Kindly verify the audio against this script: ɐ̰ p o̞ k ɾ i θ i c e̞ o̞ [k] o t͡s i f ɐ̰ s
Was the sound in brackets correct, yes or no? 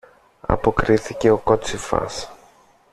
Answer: yes